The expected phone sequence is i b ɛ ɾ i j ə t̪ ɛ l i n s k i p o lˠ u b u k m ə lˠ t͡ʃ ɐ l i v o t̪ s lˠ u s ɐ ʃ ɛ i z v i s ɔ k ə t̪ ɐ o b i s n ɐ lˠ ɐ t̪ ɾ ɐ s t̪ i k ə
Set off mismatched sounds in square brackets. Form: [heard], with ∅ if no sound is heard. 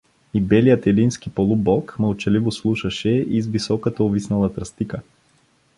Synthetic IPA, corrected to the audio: i b ɛ [l] i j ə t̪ ɛ l i n s k i p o lˠ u b [ɔ] k m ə lˠ t͡ʃ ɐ l i v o [∅] s lˠ u [ʃ] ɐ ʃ ɛ i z v i s ɔ k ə t̪ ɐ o [v] i s n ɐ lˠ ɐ t̪ ɾ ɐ s t̪ i k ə